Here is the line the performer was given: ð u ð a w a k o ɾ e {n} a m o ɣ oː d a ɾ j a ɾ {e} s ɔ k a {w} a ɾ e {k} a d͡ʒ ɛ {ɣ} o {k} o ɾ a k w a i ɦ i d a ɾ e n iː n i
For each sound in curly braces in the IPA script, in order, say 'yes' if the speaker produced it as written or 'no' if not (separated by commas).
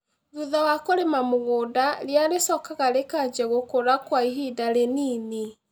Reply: no, yes, no, yes, yes, yes